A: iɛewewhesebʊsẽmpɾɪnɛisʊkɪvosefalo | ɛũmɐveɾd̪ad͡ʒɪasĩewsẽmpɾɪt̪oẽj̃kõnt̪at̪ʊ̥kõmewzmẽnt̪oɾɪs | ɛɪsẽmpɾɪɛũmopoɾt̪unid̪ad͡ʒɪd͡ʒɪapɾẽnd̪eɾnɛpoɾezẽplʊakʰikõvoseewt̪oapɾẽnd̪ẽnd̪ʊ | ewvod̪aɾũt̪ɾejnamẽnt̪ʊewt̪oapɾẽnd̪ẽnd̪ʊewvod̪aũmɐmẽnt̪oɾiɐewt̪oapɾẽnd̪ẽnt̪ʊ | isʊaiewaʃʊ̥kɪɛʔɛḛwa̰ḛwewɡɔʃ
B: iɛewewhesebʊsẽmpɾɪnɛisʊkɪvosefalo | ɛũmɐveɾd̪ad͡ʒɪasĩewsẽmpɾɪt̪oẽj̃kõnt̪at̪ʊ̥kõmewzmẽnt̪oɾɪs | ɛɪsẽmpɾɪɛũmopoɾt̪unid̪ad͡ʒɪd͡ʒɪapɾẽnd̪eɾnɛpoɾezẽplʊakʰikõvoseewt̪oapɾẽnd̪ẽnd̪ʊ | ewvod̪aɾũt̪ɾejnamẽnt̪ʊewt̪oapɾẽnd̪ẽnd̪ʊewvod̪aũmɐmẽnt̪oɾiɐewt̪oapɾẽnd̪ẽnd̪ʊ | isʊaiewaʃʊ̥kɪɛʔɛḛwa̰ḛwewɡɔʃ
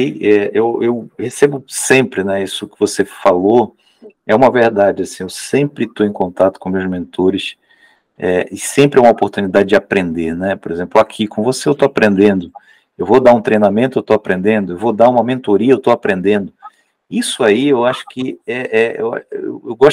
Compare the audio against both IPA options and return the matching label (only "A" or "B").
B